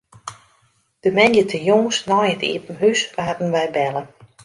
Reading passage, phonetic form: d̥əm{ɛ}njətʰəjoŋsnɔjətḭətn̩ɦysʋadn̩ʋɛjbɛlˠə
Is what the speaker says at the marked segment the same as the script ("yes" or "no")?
yes